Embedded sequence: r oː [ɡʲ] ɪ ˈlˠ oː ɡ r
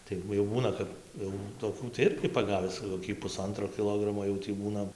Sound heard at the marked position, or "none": kʲ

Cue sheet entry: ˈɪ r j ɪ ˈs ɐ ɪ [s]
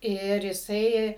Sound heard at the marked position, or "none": none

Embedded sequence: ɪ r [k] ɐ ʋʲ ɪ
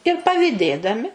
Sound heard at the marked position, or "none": p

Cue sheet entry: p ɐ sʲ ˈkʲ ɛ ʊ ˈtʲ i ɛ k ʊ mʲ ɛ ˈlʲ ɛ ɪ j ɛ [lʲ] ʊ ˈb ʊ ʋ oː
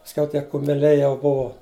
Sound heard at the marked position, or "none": none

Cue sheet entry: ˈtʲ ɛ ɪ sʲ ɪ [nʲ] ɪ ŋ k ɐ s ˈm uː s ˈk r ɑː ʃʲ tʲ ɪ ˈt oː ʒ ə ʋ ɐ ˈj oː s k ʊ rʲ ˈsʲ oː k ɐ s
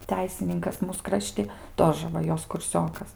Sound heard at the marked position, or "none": nʲ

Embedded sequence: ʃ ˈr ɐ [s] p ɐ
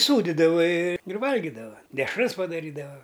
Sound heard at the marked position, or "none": s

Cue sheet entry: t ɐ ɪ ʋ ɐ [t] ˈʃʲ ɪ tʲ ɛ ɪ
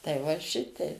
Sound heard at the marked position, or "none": none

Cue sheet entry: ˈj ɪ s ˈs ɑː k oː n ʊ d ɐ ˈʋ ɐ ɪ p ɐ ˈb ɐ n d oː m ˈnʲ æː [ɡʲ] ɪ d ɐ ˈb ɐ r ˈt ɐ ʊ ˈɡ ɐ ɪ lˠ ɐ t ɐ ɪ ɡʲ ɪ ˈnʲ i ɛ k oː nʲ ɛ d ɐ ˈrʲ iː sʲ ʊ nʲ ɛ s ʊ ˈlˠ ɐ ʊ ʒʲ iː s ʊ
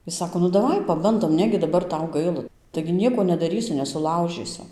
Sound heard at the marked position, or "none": ɡʲ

